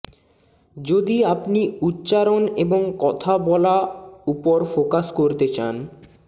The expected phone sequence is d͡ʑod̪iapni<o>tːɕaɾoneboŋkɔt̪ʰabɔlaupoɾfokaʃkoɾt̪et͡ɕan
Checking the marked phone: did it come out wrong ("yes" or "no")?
yes